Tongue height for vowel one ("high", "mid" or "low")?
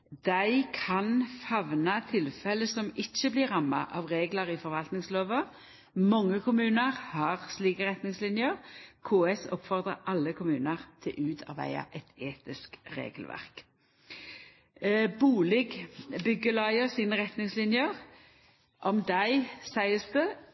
low